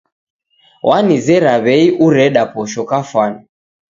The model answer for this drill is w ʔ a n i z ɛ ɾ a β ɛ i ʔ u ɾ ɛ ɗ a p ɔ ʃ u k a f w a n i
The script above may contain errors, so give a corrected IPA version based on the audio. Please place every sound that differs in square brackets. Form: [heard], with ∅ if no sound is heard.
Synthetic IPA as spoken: w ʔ a n i z ɛ ɾ a β ɛ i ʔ u ɾ ɛ ɗ a p ɔ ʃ [ɔ] k a f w a n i